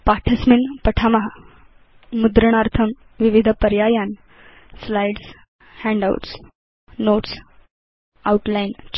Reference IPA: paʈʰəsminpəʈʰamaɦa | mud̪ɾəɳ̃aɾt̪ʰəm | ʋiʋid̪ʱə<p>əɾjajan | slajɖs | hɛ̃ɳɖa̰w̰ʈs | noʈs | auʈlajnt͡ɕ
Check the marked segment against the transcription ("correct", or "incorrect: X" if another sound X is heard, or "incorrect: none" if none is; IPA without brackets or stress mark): correct